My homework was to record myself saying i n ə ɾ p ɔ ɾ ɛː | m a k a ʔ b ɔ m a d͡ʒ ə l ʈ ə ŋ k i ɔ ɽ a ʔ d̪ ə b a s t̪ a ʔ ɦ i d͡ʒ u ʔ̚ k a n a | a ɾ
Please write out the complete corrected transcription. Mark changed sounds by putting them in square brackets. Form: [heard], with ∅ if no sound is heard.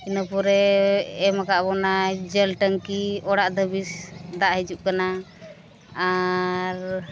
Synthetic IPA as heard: i n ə [∅] p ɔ ɾ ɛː | m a k a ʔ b ɔ [n] a d͡ʒ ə l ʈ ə ŋ k i ɔ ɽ a ʔ d̪ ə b [i] s [d̪] a ʔ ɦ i d͡ʒ u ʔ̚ k a n a | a ɾ